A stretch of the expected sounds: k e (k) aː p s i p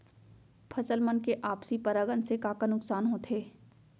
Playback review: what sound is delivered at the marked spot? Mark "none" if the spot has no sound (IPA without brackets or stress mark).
ʔ